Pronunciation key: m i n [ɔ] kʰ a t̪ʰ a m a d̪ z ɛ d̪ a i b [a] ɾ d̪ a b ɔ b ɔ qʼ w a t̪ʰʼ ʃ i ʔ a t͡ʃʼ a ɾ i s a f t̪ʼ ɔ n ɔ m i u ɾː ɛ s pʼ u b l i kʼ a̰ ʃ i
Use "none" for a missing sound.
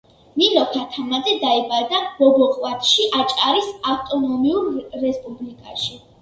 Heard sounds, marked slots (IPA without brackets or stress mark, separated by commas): ɔ, a